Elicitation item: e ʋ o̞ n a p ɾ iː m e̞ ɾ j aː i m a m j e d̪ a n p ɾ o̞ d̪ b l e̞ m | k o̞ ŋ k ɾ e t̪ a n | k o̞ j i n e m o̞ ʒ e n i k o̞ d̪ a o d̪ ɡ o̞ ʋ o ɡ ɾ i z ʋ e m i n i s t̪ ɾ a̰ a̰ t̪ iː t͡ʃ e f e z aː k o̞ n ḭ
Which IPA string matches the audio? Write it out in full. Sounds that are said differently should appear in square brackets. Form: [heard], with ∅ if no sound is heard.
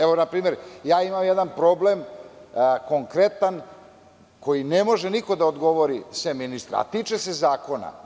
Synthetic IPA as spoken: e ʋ o̞ n a p ɾ iː m e̞ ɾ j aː i m a m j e d̪ a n p ɾ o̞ [∅] b l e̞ m | k o̞ ŋ k ɾ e t̪ a n | k o̞ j i n e m o̞ ʒ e n i k o̞ d̪ a o d̪ ɡ o̞ ʋ o [∅] ɾ i [s] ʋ e m i n i s t̪ ɾ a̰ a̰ t̪ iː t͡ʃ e [s] e z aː k o̞ n [a̰]

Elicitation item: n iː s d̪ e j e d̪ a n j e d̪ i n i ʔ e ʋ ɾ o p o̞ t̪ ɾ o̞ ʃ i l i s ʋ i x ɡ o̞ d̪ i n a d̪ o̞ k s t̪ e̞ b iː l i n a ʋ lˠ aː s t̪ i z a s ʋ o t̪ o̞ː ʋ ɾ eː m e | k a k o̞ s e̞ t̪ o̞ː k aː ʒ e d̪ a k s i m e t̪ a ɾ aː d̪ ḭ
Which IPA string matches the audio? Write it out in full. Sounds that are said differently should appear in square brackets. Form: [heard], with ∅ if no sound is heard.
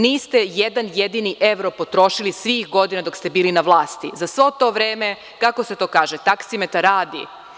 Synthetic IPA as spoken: n iː s [t̪] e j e d̪ a n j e d̪ i n i ʔ e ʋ ɾ o p o̞ t̪ ɾ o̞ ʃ i l i s ʋ i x ɡ o̞ d̪ i n a d̪ o̞ k s t̪ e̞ b iː l i n a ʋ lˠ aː s t̪ i z a s ʋ o t̪ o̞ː ʋ ɾ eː m e | k a k o̞ s e̞ t̪ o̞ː k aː ʒ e [t̪] a k s i m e t̪ a ɾ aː d̪ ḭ

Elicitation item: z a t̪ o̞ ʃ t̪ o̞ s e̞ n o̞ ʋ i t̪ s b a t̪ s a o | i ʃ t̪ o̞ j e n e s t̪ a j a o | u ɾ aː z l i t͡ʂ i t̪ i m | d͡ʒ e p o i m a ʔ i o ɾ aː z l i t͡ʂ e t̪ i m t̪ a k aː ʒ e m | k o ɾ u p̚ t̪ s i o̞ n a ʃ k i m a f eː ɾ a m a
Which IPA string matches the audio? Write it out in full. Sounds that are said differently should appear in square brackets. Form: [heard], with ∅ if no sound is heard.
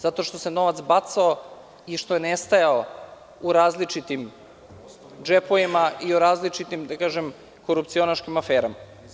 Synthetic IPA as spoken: z a t̪ o̞ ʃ t̪ o̞ s e̞ n o̞ ʋ [a] t̪ s b a t̪ s a o | i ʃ t̪ o̞ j e n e s t̪ a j a o | u ɾ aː z l i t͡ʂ i t̪ i m | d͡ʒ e p o i m a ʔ i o ɾ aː z l i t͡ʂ [i] t̪ i m [d̪] a k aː ʒ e m | k o ɾ u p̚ t̪ s i o̞ n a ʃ k i m a f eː ɾ a m a

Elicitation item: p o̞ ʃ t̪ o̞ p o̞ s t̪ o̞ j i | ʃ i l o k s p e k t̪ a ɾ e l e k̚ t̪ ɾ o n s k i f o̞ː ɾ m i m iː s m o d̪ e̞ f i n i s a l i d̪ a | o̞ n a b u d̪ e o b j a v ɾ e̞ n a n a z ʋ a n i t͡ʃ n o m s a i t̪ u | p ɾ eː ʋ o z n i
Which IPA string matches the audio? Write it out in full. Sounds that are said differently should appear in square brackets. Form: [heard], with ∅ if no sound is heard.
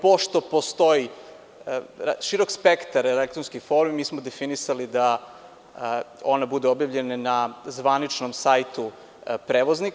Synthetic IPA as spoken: p o̞ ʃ t̪ o̞ p o̞ s t̪ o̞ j i | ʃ i [ɾ] o k s p e k t̪ a ɾ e l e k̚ t̪ ɾ o n s k i f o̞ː ɾ m i m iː s m o d̪ e̞ f i n i s a l i d̪ a | o̞ n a b u d̪ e o b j a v [ʎ] e̞ n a n a z ʋ a n i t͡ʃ n o m s a [j] t̪ u | p ɾ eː ʋ o z n i

